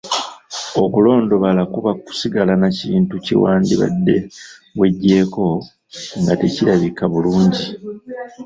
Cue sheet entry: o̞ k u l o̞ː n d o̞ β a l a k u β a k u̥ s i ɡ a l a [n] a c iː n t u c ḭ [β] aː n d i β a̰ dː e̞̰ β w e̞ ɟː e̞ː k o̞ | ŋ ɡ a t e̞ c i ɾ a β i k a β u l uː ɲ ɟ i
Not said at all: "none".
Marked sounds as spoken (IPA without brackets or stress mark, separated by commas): n, w